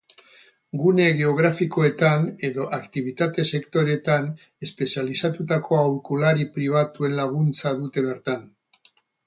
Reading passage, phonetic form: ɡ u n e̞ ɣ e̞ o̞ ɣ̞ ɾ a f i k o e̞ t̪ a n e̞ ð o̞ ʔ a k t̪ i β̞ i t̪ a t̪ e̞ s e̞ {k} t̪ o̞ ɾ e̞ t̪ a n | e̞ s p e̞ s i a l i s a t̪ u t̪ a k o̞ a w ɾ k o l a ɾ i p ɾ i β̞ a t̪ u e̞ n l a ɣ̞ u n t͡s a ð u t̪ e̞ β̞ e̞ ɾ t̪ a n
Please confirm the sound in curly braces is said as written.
yes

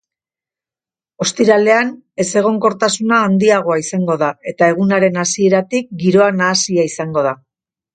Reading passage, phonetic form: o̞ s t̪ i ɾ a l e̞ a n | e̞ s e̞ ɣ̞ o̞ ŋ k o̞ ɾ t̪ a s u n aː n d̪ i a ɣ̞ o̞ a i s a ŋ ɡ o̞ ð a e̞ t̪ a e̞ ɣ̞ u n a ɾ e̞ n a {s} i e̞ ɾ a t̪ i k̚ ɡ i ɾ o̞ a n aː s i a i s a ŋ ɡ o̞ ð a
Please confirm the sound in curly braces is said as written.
yes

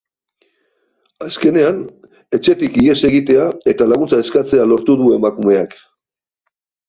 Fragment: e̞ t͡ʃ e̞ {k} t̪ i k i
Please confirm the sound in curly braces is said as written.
no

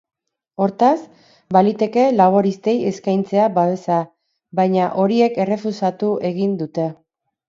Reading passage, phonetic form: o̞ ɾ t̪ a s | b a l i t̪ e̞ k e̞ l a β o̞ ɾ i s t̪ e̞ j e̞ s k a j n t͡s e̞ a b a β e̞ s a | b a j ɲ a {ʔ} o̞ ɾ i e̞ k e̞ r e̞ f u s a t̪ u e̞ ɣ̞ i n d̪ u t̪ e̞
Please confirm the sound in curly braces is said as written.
yes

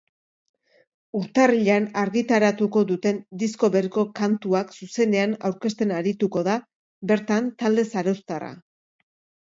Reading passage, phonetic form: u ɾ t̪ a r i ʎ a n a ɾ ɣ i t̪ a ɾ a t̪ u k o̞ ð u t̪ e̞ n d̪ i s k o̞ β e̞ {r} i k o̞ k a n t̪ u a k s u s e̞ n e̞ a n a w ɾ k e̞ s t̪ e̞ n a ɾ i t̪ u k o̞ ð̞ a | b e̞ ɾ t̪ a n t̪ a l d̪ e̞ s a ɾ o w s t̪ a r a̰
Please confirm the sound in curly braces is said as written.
no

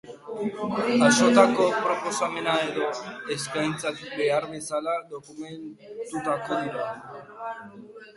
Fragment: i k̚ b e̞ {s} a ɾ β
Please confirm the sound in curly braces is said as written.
no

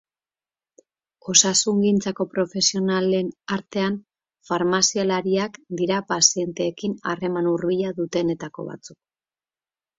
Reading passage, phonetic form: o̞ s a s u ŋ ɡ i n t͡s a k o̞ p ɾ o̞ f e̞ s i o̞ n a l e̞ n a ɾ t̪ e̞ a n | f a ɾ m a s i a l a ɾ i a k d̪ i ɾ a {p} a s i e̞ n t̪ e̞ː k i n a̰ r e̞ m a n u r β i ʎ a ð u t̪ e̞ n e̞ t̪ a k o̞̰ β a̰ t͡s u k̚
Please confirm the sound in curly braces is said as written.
yes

